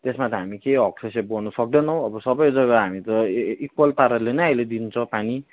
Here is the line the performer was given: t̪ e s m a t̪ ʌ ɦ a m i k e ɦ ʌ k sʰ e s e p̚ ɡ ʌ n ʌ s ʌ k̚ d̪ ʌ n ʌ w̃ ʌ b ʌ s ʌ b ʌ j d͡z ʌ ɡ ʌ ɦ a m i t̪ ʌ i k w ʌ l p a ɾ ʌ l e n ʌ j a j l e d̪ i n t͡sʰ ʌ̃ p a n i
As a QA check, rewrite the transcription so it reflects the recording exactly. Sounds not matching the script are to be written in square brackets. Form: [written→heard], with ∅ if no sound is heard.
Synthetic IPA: t̪ e s m a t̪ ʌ ɦ a m i k e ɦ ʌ k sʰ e s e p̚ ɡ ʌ n ʌ s ʌ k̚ d̪ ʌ n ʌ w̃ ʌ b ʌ s ʌ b ʌ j d͡z ʌ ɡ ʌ ɦ a m i t̪ ʌ i k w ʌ l p a ɾ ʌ l e n ʌ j a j l e d̪ i n t͡sʰ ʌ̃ p a n i